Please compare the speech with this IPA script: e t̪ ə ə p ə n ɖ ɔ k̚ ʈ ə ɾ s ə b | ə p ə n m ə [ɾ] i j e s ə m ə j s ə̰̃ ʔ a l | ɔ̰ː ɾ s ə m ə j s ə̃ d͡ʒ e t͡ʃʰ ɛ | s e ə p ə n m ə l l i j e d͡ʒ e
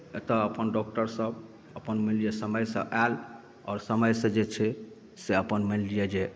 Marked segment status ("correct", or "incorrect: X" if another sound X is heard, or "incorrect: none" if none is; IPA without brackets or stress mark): incorrect: l